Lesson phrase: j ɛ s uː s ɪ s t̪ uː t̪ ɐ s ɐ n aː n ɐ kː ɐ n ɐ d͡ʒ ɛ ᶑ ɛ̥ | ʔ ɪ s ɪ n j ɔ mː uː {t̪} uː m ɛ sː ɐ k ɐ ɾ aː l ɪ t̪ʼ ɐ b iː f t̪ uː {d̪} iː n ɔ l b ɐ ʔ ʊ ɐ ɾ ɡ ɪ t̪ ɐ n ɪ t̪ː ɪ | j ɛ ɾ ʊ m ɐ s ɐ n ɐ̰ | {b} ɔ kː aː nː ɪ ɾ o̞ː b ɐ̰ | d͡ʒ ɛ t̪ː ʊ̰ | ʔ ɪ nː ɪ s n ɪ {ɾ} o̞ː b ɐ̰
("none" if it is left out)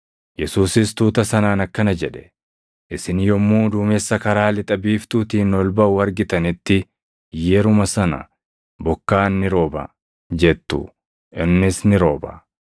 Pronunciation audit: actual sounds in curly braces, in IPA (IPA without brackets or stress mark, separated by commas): d̪, t̪, b, ɾ